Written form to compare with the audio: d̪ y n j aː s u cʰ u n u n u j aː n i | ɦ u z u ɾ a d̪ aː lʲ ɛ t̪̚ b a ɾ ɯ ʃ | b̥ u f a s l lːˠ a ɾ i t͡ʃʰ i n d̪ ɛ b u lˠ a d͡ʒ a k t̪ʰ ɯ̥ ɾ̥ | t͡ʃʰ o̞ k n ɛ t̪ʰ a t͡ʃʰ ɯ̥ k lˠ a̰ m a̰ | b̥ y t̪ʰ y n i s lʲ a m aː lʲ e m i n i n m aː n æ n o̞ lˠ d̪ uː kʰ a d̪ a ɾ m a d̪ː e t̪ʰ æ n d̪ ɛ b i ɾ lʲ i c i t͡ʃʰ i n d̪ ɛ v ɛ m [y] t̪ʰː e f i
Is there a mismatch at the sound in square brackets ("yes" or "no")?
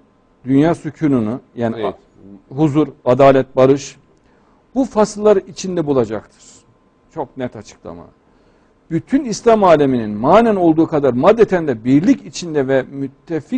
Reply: no